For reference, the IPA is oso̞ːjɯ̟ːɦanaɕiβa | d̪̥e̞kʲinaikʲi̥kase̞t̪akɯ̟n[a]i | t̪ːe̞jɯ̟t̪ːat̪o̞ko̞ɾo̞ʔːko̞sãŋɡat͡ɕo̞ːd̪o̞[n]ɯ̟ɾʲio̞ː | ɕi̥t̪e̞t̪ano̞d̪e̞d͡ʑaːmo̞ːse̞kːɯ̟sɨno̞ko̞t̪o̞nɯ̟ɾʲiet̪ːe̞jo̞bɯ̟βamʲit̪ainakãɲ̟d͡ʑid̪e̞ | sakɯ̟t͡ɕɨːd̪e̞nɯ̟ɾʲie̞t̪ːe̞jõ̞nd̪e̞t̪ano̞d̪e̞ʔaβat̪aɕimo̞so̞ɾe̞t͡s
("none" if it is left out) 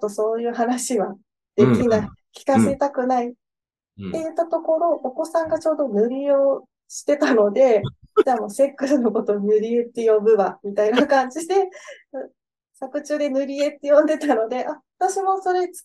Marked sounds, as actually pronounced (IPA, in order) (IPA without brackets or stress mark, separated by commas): a, n